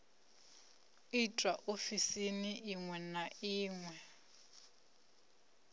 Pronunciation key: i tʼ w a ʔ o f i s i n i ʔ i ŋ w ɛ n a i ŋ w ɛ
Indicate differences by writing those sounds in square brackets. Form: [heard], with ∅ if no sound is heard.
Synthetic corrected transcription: i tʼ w a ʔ o f i s i n i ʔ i ŋ w ɛ n a [iː] ŋ w ɛ